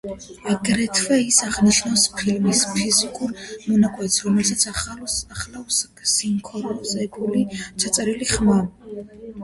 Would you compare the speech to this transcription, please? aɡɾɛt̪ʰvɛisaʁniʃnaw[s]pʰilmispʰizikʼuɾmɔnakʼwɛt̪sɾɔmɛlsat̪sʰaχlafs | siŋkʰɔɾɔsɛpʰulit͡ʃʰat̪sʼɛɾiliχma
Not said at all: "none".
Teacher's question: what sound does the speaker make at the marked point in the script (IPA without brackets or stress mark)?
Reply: s